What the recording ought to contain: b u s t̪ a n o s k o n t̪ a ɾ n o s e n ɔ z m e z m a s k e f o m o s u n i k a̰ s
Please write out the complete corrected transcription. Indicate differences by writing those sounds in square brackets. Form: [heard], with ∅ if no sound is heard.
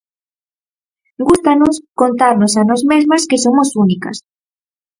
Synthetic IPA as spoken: [ɡ] u s t̪ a n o s k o n t̪ a ɾ n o s [a] n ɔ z m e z m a s k e [s] o m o s u n i k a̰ s